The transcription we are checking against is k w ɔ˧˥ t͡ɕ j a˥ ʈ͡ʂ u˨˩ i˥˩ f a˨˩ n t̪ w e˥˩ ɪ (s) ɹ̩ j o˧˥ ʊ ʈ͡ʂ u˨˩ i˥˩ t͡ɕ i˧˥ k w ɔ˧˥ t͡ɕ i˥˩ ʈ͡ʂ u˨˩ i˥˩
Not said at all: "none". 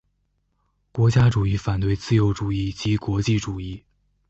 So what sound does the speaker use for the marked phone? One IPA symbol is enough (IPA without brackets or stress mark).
t͡s